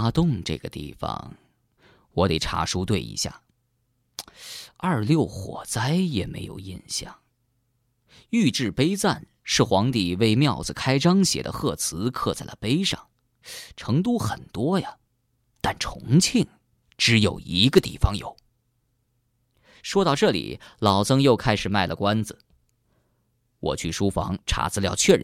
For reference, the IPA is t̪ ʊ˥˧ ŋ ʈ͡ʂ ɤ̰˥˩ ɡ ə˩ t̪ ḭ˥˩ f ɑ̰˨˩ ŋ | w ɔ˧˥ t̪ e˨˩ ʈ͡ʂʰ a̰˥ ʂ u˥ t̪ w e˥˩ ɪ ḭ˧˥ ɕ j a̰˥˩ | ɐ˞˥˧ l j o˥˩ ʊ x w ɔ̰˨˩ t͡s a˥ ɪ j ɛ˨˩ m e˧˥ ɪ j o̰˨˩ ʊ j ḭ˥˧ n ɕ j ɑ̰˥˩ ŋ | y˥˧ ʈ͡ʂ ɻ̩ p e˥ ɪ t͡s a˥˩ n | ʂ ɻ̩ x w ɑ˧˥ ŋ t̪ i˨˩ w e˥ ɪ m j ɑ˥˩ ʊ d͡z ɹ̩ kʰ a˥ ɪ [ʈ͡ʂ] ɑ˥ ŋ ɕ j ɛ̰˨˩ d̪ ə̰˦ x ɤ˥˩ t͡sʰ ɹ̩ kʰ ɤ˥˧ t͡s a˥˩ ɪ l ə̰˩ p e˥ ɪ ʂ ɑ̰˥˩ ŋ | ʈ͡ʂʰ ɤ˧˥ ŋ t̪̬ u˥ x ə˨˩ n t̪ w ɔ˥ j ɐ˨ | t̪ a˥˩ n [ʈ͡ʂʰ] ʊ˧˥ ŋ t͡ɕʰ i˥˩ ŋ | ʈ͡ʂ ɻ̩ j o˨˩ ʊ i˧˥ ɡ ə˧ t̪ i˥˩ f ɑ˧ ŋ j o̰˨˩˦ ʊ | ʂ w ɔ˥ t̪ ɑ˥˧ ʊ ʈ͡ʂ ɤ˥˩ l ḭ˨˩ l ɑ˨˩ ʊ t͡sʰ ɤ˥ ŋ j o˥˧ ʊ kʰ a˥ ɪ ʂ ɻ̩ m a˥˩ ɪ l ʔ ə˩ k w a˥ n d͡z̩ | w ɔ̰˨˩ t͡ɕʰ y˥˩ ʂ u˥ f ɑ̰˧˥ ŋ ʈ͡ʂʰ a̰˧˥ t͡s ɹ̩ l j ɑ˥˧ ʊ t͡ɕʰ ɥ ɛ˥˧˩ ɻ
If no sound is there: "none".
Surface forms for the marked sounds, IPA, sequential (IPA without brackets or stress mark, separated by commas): ʈ͡ʂ, ʈ͡ʂʰ